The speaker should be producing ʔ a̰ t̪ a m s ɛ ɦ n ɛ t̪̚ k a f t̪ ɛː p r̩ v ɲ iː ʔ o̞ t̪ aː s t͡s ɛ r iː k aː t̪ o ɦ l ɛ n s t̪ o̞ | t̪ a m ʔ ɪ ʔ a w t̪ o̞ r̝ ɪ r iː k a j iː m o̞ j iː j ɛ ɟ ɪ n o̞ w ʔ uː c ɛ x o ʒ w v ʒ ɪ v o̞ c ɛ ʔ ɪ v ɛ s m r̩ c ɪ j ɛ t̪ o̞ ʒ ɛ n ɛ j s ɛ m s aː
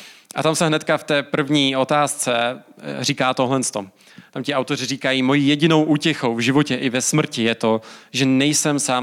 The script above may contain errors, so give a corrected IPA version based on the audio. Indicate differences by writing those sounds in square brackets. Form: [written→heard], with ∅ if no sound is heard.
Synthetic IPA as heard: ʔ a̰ t̪ a m s ɛ ɦ n ɛ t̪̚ k a f t̪ ɛː p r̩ v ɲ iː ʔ o̞ t̪ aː s t͡s ɛ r iː k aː t̪ o ɦ l ɛ n s t̪ o̞ | t̪ a m [ʔ→c] ɪ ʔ a w t̪ o̞ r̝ ɪ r iː k a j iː m o̞ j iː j ɛ ɟ ɪ n o̞ w ʔ uː c ɛ x o [ʒ→∅] w v ʒ ɪ v o̞ c ɛ ʔ ɪ v ɛ s m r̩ c ɪ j ɛ t̪ o̞ ʒ ɛ n ɛ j s ɛ m s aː